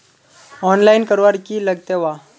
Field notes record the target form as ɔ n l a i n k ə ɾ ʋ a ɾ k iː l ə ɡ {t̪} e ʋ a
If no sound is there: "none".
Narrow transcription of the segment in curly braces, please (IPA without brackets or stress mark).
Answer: t̪